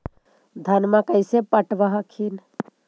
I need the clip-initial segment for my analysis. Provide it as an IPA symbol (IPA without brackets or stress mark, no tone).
d̪ʱ